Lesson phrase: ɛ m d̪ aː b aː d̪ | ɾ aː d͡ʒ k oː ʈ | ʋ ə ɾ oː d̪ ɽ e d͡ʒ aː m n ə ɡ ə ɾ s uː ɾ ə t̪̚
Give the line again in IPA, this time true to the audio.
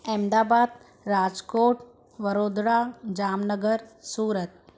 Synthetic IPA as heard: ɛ m d̪ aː b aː d̪ | ɾ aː d͡ʒ k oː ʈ | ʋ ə ɾ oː d̪ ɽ a d͡ʒ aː m n ə ɡ ə ɾ s uː ɾ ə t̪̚